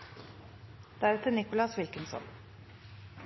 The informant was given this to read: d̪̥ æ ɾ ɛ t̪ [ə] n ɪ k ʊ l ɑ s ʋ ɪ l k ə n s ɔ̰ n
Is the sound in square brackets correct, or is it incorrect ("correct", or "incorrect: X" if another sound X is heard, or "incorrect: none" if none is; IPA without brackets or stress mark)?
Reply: correct